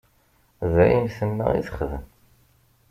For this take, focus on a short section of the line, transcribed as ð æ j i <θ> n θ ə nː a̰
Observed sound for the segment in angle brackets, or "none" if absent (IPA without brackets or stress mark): none